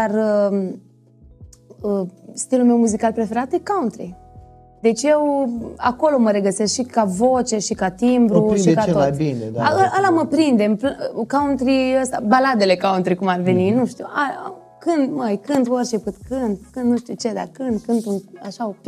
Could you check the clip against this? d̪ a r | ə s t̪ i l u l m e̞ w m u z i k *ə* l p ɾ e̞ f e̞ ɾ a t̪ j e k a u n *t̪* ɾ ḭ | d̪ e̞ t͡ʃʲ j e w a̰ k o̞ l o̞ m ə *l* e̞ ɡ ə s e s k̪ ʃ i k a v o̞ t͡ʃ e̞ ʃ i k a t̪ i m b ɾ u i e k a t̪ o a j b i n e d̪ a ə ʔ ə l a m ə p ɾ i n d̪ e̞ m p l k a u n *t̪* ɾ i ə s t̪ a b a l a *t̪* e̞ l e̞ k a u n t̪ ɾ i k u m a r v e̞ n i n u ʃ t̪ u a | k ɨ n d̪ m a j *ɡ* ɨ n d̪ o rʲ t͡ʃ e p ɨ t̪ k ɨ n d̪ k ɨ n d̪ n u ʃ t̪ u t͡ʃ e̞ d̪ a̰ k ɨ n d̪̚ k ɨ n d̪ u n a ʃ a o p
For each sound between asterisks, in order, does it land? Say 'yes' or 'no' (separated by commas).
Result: no, yes, no, yes, no, no